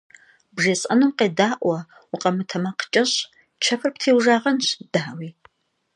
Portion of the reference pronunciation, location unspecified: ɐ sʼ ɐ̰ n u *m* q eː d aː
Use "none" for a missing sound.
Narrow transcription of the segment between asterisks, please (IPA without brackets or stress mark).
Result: m